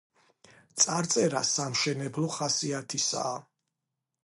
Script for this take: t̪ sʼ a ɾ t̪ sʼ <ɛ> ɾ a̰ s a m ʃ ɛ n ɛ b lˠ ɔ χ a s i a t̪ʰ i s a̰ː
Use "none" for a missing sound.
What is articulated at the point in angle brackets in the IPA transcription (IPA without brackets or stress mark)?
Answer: ɛ